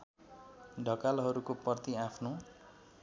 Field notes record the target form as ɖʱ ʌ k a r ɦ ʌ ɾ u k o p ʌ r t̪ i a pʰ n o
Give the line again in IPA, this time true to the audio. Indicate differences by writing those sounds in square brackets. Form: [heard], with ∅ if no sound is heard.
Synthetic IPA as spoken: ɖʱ ʌ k a [l] ɦ ʌ ɾ u k o p ʌ r t̪ i a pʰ n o